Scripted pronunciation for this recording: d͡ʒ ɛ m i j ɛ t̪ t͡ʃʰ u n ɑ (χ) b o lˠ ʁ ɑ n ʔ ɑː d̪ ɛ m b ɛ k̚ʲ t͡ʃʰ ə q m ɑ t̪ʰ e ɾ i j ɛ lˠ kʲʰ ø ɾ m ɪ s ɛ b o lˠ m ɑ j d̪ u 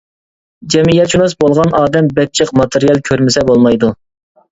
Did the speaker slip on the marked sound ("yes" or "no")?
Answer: yes